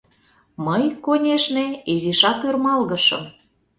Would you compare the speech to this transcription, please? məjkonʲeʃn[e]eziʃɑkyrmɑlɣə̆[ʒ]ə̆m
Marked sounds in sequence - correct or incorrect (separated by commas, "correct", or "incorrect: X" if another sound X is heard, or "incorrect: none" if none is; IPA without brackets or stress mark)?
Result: correct, incorrect: ʃ